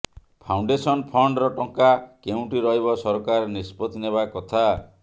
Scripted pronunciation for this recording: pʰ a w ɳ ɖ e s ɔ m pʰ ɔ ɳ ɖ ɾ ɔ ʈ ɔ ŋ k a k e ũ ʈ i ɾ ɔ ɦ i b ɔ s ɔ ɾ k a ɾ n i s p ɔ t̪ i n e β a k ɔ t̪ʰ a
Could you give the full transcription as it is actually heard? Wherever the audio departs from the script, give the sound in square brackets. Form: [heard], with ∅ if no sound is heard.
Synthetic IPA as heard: pʰ a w ɳ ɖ e s ɔ [n] pʰ ɔ ɳ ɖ ɾ ɔ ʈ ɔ ŋ k a k e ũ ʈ i ɾ ɔ ɦ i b ɔ s ɔ ɾ k a ɾ n i s p ɔ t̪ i n e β a k ɔ t̪ʰ a

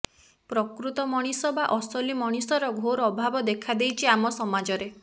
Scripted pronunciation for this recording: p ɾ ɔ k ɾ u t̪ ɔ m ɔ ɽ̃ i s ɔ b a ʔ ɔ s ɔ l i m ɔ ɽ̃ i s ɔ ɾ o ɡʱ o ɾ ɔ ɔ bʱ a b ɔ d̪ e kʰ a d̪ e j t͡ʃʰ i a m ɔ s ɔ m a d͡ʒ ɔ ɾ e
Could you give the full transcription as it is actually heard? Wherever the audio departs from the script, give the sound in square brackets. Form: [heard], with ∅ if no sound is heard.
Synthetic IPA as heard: p ɾ ɔ k ɾ u t̪ ɔ m ɔ ɽ̃ i s ɔ b a ʔ ɔ s ɔ l i m ɔ ɽ̃ i s ɔ ɾ [ɔ] ɡʱ o ɾ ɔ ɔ bʱ a b ɔ d̪ e kʰ a d̪ e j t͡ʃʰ i a m ɔ s ɔ m a d͡ʒ ɔ ɾ e

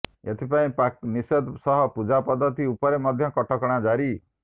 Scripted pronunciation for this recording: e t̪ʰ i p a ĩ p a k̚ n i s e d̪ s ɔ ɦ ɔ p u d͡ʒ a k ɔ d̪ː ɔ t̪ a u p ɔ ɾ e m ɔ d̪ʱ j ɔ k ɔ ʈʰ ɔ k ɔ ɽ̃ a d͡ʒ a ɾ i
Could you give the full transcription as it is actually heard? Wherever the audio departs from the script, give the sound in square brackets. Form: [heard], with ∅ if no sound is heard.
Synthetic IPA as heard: e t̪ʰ i p a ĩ p a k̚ n i s e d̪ s ɔ ɦ ɔ p u d͡ʒ a [p] ɔ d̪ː ɔ t̪ [i] u p ɔ ɾ e m ɔ d̪ʱ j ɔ k ɔ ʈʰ ɔ k ɔ ɽ̃ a d͡ʒ a ɾ i

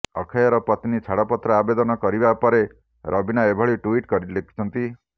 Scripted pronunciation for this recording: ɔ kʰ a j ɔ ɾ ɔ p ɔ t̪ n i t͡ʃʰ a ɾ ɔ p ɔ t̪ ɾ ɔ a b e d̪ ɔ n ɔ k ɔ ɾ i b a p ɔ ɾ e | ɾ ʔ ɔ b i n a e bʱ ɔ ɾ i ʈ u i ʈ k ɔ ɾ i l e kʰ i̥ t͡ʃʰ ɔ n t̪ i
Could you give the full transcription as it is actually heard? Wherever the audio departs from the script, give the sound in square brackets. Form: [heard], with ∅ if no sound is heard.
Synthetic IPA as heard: ɔ kʰ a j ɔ ɾ ɔ p ɔ t̪ n i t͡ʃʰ a [ɽ] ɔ p ɔ t̪ ɾ ɔ a b e d̪ ɔ n ɔ k ɔ ɾ i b a p ɔ ɾ e | ɾ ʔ ɔ b i n a e bʱ ɔ [ɭ] i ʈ u i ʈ k ɔ ɾ i l e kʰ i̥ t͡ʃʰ ɔ n t̪ i

